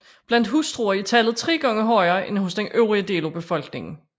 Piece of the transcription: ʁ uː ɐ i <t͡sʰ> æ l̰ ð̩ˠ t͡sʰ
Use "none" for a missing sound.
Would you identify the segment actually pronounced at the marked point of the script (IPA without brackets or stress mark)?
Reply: t͡sʰ